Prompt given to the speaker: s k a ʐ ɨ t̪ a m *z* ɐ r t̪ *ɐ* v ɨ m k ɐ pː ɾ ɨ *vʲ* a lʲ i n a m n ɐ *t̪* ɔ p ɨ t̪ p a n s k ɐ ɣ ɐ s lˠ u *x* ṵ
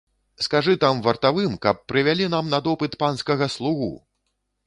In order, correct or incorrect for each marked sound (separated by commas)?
incorrect, incorrect, correct, incorrect, incorrect